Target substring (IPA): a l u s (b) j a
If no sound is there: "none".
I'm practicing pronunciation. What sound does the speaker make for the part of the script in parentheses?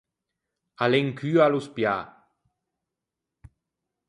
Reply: p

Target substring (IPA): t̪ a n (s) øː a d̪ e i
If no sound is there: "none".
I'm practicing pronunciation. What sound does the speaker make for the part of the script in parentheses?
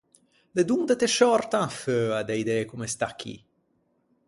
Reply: f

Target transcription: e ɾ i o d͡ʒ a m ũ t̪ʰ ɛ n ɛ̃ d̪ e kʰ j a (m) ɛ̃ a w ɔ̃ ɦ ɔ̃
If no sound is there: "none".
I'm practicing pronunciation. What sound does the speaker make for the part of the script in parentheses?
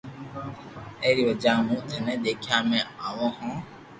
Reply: m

